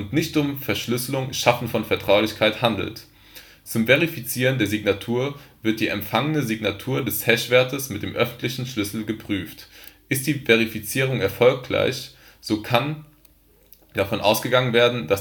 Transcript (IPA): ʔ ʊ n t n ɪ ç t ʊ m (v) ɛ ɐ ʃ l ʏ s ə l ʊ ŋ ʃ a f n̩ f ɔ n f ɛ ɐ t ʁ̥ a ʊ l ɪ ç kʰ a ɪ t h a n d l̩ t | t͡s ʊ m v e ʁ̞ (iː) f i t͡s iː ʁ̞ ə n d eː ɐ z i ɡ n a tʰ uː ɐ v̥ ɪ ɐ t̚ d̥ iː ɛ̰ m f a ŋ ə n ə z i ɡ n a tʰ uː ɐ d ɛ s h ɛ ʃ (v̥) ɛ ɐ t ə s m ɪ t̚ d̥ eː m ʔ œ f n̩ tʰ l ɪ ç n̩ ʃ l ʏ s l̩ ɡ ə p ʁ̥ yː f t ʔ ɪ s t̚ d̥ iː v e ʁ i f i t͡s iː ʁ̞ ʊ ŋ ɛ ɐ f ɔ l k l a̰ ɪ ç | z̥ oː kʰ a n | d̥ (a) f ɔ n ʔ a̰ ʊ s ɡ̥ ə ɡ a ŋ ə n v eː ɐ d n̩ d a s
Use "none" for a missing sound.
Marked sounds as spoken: f, i, v̥, a

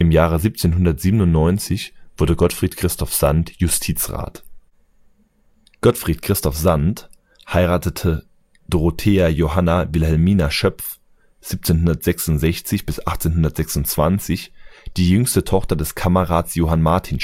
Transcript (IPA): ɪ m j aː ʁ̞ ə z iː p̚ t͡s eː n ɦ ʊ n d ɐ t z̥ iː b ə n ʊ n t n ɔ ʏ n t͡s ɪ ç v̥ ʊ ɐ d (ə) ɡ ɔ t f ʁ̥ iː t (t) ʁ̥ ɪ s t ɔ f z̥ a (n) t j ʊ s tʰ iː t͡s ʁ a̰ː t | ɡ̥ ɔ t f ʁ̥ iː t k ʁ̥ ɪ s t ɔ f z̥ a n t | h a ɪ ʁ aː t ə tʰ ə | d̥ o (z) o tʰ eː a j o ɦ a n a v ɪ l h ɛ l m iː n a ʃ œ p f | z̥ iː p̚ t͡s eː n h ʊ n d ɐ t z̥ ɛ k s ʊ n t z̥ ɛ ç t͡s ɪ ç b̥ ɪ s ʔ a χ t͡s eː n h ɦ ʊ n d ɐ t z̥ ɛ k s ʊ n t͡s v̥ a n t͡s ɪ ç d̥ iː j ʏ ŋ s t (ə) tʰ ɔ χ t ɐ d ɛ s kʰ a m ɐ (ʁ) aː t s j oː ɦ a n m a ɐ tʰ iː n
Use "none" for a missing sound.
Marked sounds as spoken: ə, k, n, ʁ, ə, ʁ

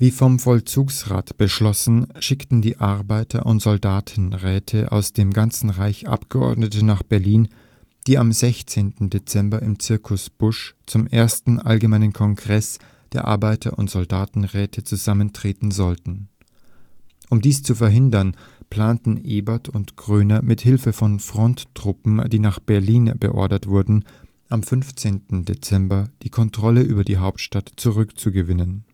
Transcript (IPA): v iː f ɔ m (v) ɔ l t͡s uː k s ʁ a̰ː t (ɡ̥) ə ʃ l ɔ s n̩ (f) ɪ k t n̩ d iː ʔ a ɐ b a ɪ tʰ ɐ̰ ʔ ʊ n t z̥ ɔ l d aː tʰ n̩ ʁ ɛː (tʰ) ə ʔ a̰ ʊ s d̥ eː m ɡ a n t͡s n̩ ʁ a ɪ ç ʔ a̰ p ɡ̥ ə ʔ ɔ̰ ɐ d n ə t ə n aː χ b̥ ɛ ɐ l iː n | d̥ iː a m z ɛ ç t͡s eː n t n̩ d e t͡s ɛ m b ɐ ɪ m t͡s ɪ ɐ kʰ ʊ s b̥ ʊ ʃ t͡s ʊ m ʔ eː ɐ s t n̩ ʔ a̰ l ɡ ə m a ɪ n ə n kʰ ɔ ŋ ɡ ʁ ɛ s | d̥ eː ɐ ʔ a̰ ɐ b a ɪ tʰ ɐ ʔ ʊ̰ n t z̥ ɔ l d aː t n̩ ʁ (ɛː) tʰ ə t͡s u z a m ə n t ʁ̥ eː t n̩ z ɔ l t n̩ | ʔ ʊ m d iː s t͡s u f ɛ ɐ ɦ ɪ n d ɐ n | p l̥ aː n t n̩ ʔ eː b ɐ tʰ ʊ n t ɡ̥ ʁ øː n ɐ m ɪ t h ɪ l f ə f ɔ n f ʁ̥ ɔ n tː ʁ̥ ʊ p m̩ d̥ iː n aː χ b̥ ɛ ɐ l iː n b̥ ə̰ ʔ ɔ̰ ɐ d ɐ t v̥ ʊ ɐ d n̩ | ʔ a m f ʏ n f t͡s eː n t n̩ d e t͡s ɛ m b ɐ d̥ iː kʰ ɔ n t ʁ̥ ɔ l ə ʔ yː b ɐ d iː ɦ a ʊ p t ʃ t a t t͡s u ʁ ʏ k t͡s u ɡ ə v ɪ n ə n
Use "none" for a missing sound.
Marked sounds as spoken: f, b̥, ʃ, tʰ, ɛː

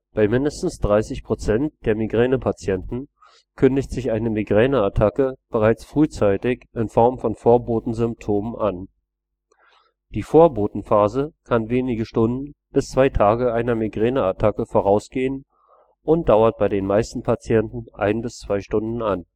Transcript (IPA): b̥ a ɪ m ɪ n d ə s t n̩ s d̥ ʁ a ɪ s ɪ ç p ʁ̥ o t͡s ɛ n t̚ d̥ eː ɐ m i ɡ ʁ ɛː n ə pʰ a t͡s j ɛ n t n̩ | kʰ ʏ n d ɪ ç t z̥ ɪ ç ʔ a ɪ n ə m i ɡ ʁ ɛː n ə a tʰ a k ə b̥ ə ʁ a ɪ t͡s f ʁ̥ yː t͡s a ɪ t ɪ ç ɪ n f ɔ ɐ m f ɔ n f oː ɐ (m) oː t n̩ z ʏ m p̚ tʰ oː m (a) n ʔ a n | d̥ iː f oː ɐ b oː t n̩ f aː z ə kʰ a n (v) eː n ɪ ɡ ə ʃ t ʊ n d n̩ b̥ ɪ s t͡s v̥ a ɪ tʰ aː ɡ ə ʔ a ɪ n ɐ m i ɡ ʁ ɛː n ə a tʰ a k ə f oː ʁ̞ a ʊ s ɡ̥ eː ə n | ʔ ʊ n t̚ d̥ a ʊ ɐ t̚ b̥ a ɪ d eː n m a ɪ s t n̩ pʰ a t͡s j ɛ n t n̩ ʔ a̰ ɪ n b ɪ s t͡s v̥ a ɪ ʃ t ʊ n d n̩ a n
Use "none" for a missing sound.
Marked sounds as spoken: b, ə, v

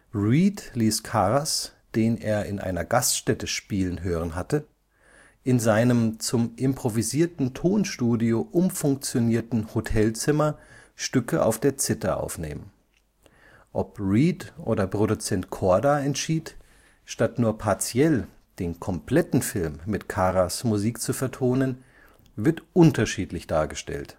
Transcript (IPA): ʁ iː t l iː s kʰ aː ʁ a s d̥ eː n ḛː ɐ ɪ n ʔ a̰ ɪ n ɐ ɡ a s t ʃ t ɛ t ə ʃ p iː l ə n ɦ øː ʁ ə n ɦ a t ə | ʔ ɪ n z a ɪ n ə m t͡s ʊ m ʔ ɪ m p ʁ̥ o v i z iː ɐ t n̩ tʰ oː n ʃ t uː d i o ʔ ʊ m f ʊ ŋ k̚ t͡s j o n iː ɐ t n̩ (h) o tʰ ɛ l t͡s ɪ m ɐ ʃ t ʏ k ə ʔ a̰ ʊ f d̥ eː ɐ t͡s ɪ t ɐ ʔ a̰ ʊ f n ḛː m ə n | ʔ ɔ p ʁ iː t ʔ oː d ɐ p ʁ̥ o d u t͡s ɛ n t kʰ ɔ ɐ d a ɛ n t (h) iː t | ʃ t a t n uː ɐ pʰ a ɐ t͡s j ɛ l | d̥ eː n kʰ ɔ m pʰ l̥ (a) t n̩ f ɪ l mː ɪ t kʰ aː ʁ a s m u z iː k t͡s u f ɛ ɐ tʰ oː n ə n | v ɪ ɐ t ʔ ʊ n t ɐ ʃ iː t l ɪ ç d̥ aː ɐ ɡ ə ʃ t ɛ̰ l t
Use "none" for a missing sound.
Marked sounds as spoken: h, ʃ, ɛ

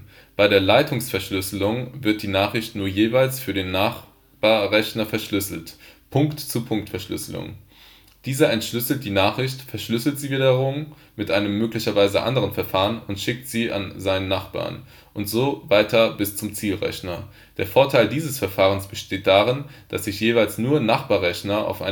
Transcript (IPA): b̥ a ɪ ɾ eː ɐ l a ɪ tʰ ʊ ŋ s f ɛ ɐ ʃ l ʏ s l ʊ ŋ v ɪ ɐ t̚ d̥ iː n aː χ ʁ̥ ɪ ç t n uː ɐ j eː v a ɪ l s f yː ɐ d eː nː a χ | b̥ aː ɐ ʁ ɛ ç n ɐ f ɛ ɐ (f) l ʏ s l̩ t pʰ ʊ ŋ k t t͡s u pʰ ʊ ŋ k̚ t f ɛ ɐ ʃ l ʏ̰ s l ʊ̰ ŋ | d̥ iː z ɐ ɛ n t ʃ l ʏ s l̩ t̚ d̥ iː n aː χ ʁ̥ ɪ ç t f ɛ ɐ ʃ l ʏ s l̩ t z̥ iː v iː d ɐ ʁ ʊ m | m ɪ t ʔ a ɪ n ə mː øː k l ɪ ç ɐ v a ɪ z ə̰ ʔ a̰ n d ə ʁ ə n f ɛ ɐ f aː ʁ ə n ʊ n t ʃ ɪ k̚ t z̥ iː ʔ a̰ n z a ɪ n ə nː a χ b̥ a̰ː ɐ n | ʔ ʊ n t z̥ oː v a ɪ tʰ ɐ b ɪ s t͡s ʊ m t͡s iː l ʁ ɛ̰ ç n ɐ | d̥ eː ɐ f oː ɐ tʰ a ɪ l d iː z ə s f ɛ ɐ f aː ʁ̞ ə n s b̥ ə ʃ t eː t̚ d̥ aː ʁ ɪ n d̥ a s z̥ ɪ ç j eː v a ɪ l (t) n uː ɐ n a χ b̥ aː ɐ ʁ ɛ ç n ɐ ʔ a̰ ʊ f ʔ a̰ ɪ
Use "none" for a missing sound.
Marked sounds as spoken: ʃ, s

